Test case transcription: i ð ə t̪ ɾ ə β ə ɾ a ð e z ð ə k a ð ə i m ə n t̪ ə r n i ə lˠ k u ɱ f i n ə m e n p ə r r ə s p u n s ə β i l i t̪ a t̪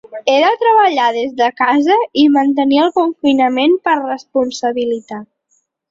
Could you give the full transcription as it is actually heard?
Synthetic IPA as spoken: e ð ə t̪ ɾ ə β ə ʎ a ð e z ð ə k a z ə i m ə n t̪ ə n i ə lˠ k u ɱ f i n ə m e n p ə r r ə s p u n s ə β i l i t̪ a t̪